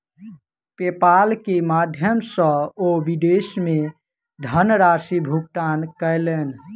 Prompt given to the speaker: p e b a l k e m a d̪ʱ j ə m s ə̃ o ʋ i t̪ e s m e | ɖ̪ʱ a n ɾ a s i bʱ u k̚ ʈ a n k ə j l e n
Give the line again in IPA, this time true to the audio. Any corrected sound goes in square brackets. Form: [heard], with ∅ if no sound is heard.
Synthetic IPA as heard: p e [p] a l k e m a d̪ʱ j ə m s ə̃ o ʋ i [d̪] e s m e | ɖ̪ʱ [ə] n ɾ a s i bʱ u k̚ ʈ a n k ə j l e n